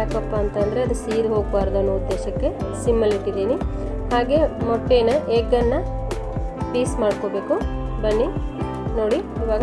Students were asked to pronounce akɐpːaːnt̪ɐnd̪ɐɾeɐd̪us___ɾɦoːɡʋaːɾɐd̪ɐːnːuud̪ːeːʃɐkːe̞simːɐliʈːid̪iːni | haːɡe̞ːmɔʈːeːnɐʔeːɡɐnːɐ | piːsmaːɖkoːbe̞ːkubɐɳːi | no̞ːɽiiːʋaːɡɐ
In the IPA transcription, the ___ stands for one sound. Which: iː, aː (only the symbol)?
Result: iː